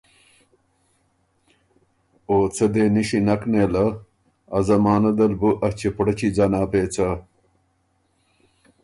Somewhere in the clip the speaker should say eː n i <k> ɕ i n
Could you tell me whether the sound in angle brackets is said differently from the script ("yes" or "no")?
yes